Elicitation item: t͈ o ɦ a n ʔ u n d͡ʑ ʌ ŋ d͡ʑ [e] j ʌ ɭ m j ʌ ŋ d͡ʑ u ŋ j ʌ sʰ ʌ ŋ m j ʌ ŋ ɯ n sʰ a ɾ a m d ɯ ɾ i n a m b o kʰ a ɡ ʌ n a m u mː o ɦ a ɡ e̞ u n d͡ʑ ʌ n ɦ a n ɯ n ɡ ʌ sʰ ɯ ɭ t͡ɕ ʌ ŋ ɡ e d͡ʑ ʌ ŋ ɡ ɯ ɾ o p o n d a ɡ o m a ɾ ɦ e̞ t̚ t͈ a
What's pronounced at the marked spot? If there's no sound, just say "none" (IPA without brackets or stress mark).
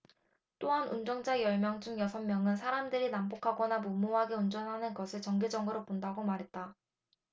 a